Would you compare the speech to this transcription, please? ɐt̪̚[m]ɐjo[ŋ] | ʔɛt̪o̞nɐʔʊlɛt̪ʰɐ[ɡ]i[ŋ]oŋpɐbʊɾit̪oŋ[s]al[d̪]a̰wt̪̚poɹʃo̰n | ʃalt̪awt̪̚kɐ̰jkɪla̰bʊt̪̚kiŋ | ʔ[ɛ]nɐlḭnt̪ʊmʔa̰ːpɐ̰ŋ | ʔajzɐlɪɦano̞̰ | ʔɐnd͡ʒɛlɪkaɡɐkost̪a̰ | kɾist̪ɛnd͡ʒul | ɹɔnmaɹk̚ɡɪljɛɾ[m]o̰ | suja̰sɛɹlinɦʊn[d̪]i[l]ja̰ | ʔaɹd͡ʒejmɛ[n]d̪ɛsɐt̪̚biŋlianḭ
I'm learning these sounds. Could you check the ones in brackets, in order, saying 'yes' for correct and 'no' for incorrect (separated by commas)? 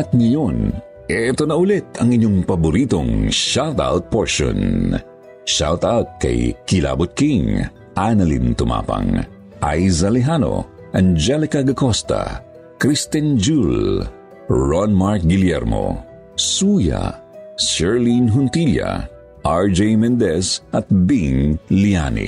no, no, no, no, no, no, no, yes, no, yes, yes